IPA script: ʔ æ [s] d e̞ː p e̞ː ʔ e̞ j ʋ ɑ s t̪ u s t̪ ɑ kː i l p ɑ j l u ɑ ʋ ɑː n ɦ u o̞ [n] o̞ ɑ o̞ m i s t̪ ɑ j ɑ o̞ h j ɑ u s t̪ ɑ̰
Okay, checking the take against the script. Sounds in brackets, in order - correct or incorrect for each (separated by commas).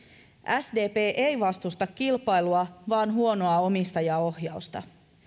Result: correct, correct